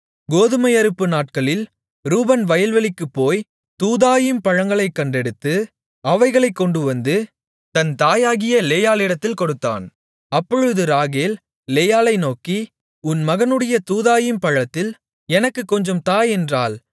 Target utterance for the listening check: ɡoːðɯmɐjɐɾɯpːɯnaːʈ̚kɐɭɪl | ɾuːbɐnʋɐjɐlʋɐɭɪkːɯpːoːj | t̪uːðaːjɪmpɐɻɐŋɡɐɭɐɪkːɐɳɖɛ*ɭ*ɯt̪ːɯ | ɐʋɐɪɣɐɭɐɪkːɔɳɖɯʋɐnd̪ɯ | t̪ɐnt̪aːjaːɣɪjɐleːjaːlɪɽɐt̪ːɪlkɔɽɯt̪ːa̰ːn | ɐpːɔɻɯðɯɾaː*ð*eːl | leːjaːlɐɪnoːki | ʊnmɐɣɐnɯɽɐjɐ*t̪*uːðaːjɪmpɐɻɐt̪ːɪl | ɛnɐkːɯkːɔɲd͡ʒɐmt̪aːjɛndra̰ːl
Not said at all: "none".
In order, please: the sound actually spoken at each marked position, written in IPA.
ɽ, ɣ, t̪

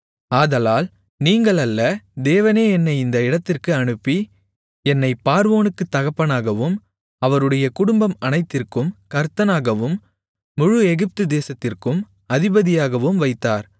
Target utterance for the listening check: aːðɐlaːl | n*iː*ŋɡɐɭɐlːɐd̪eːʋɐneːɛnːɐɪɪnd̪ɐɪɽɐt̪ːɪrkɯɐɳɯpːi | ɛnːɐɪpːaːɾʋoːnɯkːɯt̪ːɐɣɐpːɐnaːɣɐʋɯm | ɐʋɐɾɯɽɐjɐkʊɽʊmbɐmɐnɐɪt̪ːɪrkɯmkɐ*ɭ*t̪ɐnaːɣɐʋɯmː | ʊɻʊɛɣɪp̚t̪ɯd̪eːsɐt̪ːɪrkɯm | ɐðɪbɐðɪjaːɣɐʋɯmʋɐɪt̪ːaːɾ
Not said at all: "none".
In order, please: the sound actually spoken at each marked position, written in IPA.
iː, ɾ

